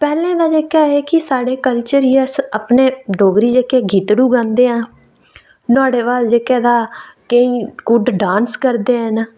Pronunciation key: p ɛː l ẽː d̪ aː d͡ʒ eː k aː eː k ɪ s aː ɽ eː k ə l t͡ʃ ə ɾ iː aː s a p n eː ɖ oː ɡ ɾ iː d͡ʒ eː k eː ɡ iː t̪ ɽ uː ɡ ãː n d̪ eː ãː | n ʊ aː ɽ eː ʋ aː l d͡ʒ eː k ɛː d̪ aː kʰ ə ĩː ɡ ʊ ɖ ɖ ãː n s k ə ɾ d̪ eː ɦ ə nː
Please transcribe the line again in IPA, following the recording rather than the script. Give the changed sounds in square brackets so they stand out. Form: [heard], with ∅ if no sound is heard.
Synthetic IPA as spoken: p ɛː l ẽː d̪ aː d͡ʒ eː k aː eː k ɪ s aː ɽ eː k ə l t͡ʃ ə ɾ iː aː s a p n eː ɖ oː ɡ ɾ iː d͡ʒ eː k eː ɡ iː t̪ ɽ uː ɡ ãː n d̪ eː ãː | n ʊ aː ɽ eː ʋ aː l d͡ʒ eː k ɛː d̪ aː [k] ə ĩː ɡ ʊ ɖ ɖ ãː n s k ə ɾ d̪ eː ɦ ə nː